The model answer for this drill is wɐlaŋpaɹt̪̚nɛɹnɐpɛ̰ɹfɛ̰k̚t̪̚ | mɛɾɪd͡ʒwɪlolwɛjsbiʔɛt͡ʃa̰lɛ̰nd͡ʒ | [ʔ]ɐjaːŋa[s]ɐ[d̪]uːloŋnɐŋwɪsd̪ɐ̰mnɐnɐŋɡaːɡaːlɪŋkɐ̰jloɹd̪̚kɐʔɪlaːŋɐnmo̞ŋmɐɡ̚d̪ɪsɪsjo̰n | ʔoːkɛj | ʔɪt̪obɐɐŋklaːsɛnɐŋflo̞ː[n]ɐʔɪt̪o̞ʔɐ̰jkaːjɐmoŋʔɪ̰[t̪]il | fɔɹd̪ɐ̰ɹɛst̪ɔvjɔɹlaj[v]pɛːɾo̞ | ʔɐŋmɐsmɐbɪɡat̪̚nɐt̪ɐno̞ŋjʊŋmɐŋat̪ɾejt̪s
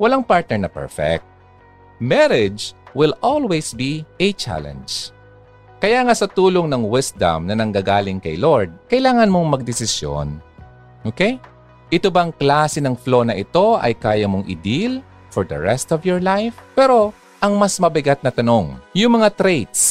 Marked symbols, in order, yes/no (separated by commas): no, yes, no, yes, no, no